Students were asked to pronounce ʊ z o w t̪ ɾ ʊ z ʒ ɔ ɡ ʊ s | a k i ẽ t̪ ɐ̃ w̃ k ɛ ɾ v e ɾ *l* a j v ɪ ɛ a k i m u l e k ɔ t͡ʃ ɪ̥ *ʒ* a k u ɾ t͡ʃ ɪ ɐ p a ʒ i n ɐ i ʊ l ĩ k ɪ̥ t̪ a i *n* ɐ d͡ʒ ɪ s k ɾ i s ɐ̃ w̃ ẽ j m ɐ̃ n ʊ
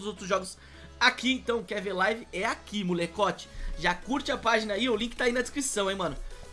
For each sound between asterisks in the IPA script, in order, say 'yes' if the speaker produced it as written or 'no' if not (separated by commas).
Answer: yes, yes, yes